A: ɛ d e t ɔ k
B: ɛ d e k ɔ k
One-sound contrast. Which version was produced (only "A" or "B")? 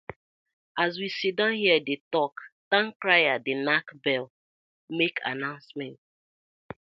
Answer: A